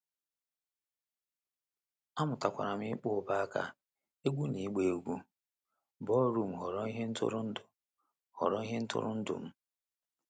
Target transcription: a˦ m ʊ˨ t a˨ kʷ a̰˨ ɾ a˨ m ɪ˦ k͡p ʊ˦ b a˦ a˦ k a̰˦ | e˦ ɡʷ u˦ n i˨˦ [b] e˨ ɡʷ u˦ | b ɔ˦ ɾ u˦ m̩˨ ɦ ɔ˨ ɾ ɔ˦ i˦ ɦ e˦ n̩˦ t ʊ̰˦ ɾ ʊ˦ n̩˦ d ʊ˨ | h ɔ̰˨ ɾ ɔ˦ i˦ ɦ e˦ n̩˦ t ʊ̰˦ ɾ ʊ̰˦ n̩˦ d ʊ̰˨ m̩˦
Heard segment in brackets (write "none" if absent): ɡ͡b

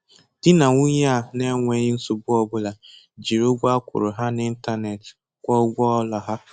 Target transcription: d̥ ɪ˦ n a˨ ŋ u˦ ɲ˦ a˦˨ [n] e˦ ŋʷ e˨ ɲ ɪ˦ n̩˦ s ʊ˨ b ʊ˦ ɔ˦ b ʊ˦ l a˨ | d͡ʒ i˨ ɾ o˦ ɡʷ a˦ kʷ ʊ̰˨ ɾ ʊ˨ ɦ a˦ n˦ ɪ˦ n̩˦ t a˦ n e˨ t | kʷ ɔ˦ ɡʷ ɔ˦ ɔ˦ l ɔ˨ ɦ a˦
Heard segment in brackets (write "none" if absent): n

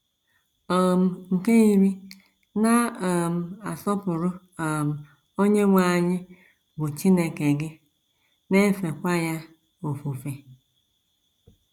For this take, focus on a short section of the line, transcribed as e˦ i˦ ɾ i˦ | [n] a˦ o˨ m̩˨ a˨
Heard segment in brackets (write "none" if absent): n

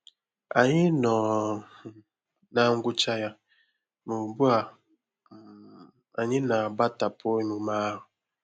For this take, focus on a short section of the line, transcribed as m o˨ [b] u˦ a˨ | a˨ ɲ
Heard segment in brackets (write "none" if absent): b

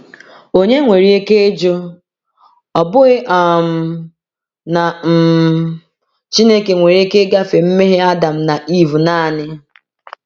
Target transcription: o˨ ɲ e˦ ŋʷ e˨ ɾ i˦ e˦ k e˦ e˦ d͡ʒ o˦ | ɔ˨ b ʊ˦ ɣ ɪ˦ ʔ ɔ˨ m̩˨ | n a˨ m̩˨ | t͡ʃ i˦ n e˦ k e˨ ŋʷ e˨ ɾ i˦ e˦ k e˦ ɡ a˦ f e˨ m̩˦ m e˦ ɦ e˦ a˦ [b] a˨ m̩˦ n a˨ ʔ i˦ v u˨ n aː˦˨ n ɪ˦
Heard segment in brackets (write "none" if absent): d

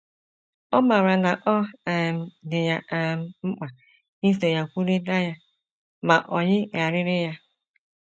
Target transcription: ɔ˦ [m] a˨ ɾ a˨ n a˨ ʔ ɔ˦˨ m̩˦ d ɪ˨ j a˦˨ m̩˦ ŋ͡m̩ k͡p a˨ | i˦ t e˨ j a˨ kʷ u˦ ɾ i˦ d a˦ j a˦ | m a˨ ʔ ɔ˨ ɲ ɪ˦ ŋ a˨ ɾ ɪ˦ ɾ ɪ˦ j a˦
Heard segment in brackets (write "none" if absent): m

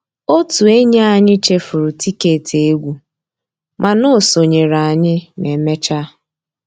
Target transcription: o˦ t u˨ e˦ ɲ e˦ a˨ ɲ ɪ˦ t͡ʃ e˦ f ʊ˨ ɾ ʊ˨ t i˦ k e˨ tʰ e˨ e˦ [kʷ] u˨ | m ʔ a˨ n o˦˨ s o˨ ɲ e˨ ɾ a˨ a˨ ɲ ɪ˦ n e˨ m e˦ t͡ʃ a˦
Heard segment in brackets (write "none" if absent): ɡʷ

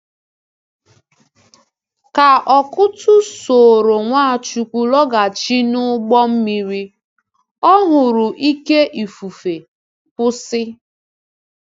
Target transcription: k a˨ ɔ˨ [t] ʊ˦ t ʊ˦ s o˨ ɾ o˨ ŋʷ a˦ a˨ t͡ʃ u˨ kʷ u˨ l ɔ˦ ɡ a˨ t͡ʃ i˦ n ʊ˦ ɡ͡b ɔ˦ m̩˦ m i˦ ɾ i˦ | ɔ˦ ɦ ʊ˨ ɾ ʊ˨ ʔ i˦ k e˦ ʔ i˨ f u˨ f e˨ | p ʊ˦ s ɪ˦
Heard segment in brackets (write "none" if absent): k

